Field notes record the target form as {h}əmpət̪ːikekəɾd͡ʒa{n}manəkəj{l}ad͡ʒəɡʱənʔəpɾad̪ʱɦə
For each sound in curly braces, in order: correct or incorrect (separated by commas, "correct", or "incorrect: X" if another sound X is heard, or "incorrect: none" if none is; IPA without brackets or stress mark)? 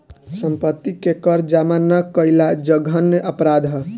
incorrect: s, incorrect: none, correct